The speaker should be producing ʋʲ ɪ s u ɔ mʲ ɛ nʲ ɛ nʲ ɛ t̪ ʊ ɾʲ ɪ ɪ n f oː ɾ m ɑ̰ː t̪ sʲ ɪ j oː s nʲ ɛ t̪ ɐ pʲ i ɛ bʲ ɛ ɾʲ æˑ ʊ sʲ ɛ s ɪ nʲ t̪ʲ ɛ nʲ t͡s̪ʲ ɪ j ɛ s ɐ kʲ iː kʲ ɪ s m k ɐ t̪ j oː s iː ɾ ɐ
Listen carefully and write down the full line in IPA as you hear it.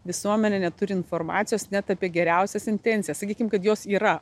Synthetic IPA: ʋʲ ɪ s u ɔ mʲ ɛ nʲ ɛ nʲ ɛ t̪ ʊ ɾʲ ɪ ɪ n f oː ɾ m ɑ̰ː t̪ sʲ ɪ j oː s nʲ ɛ t̪ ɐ pʲ i ɛ ɡʲ ɛ ɾʲ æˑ ʊ sʲ ɛ s ɪ nʲ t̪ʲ ɛ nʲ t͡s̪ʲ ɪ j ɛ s ɐ kʲ iː kʲ ɪ m k ɐ t̪ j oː s iː ɾ ɐ